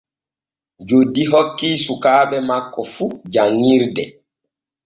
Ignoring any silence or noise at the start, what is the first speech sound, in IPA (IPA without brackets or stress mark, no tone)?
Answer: d͡ʒ